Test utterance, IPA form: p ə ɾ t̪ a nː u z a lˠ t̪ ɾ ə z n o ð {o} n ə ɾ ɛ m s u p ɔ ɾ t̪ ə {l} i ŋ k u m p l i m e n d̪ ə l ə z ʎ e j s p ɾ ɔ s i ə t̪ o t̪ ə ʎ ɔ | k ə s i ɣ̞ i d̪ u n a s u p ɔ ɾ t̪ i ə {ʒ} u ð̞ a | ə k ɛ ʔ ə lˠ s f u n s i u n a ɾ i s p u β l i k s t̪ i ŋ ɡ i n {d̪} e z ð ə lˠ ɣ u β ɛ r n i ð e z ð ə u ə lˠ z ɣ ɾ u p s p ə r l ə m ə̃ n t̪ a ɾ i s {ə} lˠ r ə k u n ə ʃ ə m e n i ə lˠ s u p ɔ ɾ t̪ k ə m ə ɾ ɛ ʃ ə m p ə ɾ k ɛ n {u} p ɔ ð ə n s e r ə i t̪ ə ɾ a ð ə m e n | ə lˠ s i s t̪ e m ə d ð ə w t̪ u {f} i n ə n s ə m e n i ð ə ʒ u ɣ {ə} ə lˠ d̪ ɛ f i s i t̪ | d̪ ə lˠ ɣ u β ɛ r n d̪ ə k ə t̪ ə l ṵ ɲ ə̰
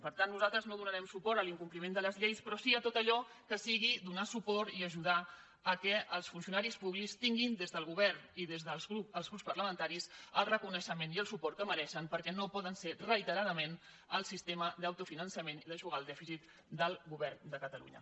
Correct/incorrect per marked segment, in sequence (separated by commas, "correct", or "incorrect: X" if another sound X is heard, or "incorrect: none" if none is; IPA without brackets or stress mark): incorrect: u, correct, correct, correct, correct, incorrect: o, correct, incorrect: a